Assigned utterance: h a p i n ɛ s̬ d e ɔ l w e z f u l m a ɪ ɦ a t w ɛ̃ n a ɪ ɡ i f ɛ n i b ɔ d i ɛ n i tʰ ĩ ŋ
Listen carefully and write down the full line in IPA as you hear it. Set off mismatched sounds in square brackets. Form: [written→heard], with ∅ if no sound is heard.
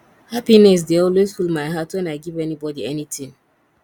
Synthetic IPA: h a p i n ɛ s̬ d e ɔ l w e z f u l m a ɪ ɦ a t w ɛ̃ n a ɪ ɡ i [f→v] ɛ n i b ɔ d i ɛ n i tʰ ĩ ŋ